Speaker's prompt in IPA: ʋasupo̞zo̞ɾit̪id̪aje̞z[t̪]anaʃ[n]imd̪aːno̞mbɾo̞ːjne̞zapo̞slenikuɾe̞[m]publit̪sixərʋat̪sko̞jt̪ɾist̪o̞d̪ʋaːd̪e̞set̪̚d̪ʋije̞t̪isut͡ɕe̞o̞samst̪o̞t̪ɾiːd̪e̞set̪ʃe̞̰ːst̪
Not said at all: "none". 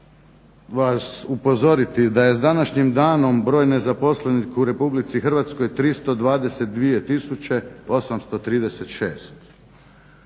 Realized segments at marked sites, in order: d̪, ɲ, none

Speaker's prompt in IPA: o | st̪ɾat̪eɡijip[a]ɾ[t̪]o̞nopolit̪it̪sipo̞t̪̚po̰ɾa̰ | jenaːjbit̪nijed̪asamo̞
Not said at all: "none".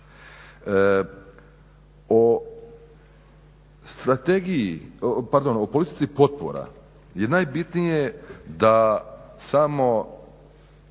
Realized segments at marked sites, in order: a, d̪

